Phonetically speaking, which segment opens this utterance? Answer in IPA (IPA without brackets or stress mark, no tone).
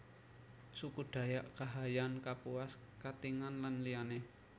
s